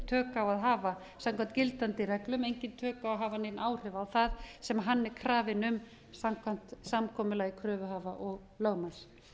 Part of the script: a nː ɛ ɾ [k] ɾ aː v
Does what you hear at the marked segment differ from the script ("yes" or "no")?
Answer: yes